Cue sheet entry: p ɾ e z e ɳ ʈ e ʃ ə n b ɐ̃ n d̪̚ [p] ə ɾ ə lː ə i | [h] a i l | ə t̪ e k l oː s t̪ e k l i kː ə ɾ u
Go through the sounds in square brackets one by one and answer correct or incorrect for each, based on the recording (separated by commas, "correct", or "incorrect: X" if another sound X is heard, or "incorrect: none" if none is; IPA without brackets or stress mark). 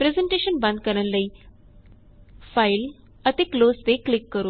incorrect: k, incorrect: f